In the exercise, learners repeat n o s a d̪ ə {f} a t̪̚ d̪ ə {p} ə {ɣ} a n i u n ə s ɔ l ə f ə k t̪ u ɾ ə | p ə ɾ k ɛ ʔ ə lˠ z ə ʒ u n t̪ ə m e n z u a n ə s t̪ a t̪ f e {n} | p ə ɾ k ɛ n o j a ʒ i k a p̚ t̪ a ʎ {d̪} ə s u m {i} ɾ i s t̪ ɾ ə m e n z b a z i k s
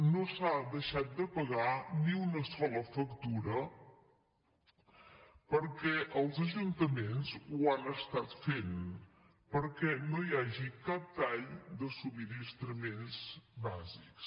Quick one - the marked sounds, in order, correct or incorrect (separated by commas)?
incorrect, correct, correct, correct, correct, correct